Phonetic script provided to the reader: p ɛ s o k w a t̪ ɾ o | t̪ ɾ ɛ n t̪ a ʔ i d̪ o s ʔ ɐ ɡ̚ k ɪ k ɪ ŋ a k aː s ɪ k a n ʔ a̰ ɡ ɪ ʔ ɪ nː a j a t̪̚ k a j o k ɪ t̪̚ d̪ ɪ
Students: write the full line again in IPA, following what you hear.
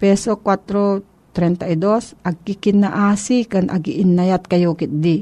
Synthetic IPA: p ɛ s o k w a t̪ ɾ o | t̪ ɾ ɛ n t̪ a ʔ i d̪ o s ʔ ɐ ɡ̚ k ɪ k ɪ n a ʔ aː s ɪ k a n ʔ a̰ ɡ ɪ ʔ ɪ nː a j a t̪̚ k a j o k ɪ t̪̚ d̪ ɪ